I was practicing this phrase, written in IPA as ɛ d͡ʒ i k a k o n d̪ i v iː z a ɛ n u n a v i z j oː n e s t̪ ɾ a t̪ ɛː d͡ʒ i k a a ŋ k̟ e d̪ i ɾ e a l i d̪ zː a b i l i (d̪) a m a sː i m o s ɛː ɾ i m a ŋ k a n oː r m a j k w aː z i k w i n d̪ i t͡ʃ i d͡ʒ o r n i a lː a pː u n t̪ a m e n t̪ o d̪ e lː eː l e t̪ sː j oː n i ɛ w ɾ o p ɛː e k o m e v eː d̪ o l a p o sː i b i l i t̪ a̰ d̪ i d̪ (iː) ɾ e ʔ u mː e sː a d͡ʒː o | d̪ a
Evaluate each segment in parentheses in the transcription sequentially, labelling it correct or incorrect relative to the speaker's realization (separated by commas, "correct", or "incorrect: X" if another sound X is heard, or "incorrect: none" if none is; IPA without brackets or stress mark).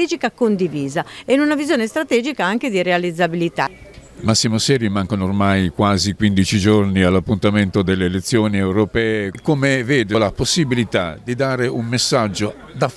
incorrect: t̪, incorrect: aː